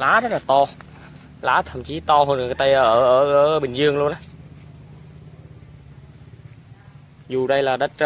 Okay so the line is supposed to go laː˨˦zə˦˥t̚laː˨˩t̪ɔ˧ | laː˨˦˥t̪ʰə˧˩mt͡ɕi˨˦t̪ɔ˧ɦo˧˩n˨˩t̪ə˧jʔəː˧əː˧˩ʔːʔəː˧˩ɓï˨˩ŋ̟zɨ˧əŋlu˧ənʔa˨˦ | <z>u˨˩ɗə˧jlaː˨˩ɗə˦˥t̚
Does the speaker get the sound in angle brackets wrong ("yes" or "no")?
no